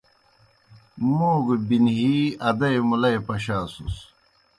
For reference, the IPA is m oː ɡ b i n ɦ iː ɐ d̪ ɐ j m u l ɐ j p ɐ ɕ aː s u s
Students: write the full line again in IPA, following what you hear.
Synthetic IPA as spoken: m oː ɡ b i n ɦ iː ɐ d̪ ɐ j m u l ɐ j p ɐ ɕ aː s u s